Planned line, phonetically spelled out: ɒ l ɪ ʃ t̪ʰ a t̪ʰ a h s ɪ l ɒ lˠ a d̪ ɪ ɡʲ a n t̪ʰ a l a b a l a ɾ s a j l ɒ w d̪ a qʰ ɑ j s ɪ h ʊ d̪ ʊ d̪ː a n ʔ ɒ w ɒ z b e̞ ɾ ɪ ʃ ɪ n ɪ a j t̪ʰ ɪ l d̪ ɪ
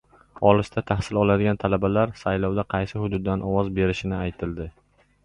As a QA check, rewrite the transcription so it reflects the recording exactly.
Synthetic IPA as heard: ɒ l ɪ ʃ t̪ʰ a t̪ʰ a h s ɪ l ɒ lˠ a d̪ ɪ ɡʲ a n t̪ʰ a l a b a l a ɾ s a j l ɒ w d̪ a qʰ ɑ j s ɪ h ʊ d̪ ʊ d̪ː a n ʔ ɒ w ɒ z b e̞ ɾ ɪ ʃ ɪ n ɪ a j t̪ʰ ɪ l d̪ ɪ